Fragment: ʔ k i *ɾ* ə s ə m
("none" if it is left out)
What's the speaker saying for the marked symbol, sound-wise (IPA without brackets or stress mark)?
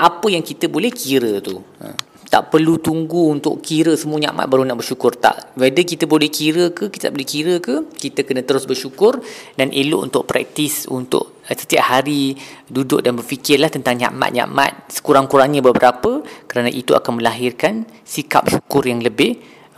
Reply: ɾ